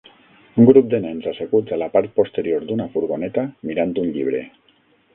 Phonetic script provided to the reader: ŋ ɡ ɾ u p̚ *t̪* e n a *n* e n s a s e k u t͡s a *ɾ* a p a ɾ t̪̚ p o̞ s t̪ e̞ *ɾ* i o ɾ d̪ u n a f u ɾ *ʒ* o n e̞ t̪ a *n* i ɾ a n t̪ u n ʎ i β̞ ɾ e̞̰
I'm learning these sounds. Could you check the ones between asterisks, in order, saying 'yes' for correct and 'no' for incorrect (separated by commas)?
no, no, no, yes, no, no